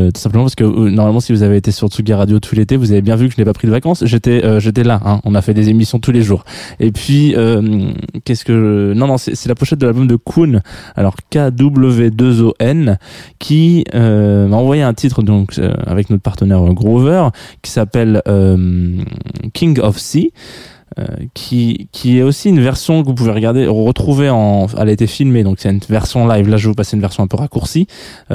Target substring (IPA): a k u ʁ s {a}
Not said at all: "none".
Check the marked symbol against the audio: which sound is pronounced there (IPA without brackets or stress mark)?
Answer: i